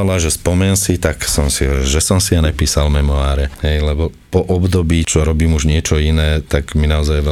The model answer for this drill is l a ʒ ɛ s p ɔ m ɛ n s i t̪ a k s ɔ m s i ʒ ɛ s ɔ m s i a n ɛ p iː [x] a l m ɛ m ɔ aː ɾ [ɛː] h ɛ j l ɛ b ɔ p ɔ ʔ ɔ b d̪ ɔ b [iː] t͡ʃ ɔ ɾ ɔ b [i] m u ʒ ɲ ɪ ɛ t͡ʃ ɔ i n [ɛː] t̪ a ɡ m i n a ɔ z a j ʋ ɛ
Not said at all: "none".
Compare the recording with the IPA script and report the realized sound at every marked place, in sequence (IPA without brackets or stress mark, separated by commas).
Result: s, ɛ, iː, iː, ɛː